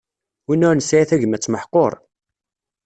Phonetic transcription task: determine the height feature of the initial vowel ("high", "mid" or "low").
high